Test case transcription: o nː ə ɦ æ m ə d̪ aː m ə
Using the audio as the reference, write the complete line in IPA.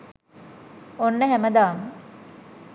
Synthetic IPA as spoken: o nː ə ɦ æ m ə d̪ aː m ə